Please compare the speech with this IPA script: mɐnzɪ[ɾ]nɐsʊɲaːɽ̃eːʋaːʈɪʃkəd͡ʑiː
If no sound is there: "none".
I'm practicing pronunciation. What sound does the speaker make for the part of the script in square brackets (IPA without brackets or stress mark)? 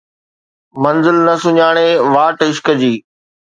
l